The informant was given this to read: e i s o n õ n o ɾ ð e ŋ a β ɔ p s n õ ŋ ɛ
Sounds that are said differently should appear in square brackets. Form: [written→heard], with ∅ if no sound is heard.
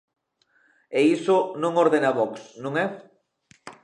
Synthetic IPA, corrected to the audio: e i s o n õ [n→ŋ] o ɾ ð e [ŋ→n] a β ɔ [p→k] s n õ ŋ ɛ